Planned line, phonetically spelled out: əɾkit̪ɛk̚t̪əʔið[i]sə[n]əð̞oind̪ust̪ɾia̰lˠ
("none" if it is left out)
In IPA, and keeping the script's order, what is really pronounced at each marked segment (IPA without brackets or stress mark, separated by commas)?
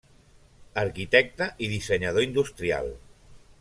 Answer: i, ɲ